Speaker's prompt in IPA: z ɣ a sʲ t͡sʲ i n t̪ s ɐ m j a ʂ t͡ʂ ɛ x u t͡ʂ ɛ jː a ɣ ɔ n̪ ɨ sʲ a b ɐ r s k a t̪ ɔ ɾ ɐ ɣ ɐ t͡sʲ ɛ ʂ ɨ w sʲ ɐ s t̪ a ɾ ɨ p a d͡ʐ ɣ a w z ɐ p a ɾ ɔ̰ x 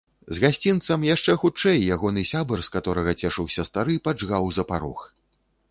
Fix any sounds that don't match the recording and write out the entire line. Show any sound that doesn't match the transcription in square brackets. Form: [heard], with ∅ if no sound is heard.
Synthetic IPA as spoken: z ɣ a sʲ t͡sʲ i n t̪ s ɐ m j a ʂ t͡ʂ ɛ x u t͡ʂ ɛ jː a ɣ ɔ n̪ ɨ sʲ a b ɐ r s k a t̪ ɔ ɾ ɐ ɣ ɐ t͡sʲ ɛ ʂ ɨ w sʲ ɐ s t̪ a ɾ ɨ p a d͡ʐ ɣ a w z ɐ p a ɾ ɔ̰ x